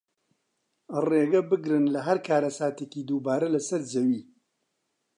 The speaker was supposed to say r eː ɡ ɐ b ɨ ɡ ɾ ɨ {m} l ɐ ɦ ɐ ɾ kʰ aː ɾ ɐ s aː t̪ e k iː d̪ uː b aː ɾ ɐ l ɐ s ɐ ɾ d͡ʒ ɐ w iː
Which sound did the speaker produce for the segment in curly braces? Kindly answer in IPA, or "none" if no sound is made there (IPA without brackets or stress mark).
n